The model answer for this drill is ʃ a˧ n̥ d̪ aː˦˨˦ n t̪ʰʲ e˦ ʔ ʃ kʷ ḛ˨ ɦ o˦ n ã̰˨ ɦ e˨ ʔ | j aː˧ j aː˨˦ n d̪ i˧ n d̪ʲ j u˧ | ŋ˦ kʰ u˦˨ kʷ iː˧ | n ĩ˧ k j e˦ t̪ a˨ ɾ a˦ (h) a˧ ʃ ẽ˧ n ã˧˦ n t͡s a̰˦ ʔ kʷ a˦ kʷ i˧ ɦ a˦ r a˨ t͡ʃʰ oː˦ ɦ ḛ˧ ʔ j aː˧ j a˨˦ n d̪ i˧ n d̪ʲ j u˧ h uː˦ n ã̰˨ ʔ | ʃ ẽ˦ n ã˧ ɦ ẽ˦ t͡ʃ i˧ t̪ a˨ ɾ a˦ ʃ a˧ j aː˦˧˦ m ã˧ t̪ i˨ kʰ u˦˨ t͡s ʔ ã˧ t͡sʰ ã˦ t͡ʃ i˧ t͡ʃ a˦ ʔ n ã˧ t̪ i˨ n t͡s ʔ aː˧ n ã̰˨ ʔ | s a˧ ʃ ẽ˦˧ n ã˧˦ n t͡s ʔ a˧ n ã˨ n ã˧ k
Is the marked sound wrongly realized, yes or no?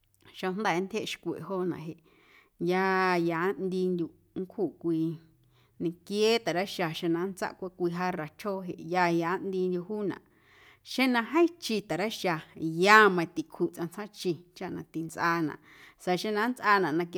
yes